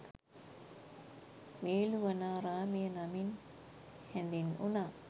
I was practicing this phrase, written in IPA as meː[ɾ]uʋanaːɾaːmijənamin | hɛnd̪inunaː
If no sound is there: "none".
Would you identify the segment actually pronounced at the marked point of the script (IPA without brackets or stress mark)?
l